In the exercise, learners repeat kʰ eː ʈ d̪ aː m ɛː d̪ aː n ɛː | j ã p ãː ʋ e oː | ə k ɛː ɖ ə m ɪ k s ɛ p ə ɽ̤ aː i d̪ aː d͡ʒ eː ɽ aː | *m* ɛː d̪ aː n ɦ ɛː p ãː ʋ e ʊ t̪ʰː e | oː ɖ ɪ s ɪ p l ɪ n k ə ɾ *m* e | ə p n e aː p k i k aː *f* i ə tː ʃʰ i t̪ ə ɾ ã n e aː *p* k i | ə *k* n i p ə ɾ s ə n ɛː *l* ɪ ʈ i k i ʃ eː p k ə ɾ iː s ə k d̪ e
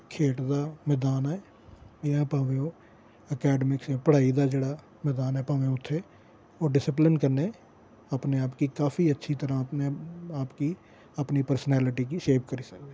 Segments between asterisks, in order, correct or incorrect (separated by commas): correct, incorrect, correct, correct, incorrect, correct